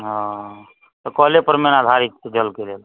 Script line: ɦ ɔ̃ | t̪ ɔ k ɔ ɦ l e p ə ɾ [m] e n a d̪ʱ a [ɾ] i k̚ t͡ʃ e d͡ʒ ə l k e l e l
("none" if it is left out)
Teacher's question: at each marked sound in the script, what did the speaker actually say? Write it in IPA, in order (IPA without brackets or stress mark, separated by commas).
m, ɾ